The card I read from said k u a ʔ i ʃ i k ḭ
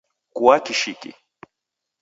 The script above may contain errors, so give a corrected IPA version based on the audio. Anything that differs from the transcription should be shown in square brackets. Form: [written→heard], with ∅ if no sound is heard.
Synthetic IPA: k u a [ʔ→k] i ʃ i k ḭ